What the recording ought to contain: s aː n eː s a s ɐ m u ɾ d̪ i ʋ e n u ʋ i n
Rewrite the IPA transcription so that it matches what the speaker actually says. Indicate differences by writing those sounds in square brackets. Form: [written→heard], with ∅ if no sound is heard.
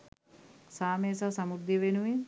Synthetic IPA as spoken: s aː [n→m] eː s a s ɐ m u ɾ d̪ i ʋ e n u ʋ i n

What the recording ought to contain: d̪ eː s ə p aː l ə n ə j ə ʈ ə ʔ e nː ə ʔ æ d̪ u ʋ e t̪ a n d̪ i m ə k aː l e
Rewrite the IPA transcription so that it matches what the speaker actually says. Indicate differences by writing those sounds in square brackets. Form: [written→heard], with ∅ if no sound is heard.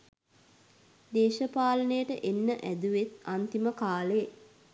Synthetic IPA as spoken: d̪ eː [s→ʃ] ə p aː l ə n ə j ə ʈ ə ʔ e nː ə ʔ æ d̪ u ʋ e t̪ a n [d̪→t̪] i m ə k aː l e

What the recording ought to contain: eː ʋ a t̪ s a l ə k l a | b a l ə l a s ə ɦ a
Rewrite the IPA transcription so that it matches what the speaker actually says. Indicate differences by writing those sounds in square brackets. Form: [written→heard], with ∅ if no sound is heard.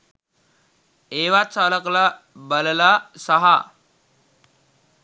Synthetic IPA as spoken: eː ʋ a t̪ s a l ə k l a | b [a→ə] l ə l a s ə ɦ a

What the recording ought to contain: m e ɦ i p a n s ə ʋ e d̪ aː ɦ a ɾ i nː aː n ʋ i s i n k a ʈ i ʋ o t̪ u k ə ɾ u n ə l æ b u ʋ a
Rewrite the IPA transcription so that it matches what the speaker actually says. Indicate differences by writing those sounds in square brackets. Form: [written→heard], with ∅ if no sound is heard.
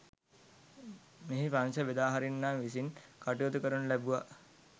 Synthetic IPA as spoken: m e ɦ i p a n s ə ʋ e d̪ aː ɦ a ɾ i nː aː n ʋ i s i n k a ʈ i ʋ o t̪ u k ə ɾ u n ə l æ b u ʋ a

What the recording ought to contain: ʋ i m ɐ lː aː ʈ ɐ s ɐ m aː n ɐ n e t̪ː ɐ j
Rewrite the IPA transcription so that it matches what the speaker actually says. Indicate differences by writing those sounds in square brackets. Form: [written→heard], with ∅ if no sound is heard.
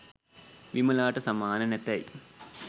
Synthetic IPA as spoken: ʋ i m ɐ [lː→l] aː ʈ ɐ s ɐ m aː n ɐ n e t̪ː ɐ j

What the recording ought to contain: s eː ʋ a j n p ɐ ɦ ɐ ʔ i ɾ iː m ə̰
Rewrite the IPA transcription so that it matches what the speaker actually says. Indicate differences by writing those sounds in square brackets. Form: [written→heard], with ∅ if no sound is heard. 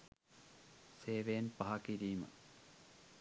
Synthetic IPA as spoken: s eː ʋ [a→e] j n p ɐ ɦ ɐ [ʔ→k] i ɾ iː m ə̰

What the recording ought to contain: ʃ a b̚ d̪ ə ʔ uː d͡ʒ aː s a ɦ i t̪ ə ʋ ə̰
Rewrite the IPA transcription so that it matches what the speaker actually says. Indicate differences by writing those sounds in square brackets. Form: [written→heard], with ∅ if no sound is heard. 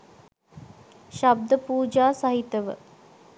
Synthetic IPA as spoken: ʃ a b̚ d̪ ə [ʔ→p] uː d͡ʒ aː s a ɦ i t̪ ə ʋ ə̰

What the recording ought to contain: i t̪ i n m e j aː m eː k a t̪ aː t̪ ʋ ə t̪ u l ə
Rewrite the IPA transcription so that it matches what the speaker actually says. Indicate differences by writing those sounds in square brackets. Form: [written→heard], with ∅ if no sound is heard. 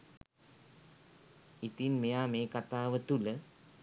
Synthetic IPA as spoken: i t̪ i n m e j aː m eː k a t̪ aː [t̪→∅] ʋ ə t̪ u l ə

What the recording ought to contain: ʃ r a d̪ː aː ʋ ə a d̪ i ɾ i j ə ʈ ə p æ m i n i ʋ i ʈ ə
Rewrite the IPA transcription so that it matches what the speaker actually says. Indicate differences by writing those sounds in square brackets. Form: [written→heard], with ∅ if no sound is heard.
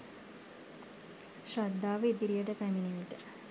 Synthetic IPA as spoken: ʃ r a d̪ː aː ʋ ə [a→i] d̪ i ɾ i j ə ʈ ə p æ m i n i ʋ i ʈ ə

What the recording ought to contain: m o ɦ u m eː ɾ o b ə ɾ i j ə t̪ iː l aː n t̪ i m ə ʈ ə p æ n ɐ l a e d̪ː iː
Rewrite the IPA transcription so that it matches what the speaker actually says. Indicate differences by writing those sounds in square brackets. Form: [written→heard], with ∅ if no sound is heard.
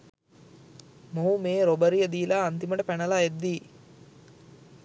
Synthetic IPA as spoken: m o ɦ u m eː ɾ o b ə ɾ i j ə [t̪→d̪] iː l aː n t̪ i m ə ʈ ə p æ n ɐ l a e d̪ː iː

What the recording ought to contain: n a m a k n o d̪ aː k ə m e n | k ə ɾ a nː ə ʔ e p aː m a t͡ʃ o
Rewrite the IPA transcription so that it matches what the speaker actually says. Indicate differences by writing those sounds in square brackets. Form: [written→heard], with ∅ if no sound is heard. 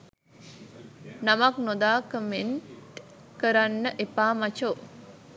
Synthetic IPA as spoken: n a m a k n o d̪ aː k ə m e n | k ə ɾ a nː ə ʔ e p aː m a t͡ʃ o

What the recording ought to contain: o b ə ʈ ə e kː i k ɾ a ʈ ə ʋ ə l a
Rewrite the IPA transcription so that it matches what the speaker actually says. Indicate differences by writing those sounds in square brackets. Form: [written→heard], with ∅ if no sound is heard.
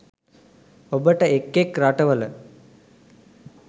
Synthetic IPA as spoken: o b ə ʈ ə e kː [i→e] k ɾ a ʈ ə ʋ ə l [a→ə]

